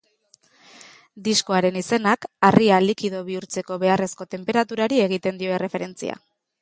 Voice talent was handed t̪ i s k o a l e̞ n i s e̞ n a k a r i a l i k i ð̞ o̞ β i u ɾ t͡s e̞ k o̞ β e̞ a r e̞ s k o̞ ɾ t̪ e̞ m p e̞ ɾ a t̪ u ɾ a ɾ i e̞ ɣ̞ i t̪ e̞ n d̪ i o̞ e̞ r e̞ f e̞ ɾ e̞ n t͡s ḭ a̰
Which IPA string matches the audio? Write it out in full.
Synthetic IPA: d̪ i s k o a ɾ e̞ n i s e̞ n a k a r i a l i k i ð̞ o̞ β i u ɾ t͡s e̞ k o̞ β e̞ a r e̞ s k o̞ t̪ e̞ m p e̞ ɾ a t̪ u ɾ a ɾ i e̞ ɣ̞ i t̪ e̞ n d̪ i o̞ e̞ r e̞ f e̞ ɾ e̞ n t͡s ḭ a̰